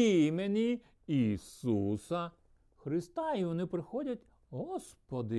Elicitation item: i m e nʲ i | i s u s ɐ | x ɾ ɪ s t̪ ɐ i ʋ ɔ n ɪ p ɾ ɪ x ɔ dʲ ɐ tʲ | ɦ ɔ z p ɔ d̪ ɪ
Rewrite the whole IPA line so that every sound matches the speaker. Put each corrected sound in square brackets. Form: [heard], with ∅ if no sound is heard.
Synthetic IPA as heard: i m e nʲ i | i s u s ɐ | x ɾ ɪ s t̪ [ɑ] i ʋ ɔ n ɪ p ɾ ɪ x ɔ dʲ ɐ tʲ | ɦ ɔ [s] p ɔ d̪ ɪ